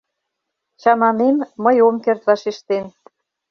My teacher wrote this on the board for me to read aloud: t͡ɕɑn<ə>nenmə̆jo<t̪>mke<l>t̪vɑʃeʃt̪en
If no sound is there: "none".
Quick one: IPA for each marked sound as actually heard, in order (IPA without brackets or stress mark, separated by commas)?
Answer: ɑ, none, r